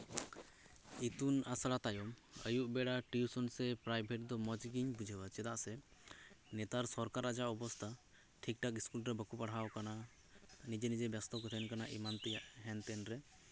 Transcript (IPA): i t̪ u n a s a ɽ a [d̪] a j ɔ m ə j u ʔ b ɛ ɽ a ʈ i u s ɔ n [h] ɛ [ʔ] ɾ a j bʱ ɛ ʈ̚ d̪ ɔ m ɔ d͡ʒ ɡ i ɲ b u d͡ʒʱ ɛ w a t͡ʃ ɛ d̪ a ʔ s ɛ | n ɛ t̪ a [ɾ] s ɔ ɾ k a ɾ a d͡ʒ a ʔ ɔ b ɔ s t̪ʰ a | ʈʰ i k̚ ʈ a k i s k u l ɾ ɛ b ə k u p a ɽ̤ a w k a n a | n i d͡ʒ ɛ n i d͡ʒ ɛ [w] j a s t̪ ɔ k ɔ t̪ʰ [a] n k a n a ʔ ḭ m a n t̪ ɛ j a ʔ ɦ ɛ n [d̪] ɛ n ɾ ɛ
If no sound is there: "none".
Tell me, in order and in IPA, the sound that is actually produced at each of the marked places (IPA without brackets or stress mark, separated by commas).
t̪, s, p, ɾ, b, ɛ, t̪